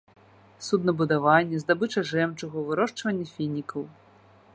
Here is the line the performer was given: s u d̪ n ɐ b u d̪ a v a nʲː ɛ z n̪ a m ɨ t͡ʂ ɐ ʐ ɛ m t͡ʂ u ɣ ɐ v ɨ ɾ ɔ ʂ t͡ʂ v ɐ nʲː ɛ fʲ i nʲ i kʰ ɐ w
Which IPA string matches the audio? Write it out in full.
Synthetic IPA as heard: s u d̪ n ɐ b u d̪ a v a nʲː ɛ z d̪ a b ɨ t͡ʂ ɐ ʐ ɛ m t͡ʂ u ɣ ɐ v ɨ ɾ ɔ ʂ t͡ʂ v ɐ nʲː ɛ fʲ i nʲ i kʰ ɐ w